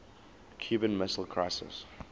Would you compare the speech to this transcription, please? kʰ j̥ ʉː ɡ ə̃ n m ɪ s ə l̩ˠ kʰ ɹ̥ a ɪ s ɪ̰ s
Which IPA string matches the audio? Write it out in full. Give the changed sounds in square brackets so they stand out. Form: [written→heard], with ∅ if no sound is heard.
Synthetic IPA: kʰ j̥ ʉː [ɡ→b] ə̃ n m ɪ s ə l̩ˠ kʰ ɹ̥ a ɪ s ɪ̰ s